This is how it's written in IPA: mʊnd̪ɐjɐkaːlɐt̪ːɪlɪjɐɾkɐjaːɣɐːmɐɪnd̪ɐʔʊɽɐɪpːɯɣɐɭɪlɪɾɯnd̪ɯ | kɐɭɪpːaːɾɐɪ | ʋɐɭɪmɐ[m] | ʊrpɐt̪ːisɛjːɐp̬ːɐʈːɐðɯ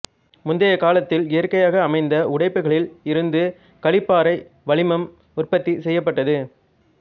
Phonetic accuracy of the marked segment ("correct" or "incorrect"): correct